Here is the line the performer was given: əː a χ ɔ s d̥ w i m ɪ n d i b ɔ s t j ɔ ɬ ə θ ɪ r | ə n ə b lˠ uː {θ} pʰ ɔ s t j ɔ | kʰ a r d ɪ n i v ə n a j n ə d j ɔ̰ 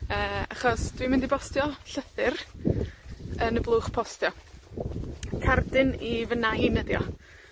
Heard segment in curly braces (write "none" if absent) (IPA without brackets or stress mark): χ